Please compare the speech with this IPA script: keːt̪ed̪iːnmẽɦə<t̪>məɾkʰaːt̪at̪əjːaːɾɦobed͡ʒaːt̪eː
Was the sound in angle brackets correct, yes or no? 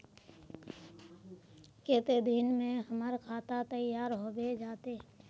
no